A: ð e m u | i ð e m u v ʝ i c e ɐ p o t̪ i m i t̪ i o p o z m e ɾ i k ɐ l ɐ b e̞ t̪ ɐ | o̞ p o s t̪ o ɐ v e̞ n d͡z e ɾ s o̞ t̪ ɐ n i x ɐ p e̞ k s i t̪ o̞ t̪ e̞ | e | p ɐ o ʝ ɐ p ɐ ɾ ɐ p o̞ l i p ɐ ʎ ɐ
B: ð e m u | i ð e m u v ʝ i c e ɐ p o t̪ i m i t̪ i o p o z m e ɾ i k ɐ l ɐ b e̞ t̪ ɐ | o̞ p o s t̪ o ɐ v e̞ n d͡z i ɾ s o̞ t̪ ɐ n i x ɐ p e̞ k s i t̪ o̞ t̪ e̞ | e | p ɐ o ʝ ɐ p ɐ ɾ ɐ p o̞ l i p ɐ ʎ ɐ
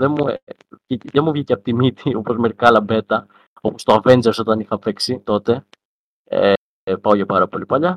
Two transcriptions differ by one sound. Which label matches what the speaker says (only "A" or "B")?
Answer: A